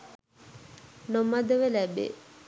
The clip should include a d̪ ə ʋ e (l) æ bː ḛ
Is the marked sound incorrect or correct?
correct